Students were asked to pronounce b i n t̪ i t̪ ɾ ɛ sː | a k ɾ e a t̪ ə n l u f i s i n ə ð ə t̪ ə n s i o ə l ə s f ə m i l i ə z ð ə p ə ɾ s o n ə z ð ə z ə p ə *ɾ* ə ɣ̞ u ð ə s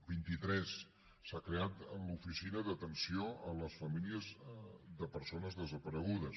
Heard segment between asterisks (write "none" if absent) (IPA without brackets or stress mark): ɾ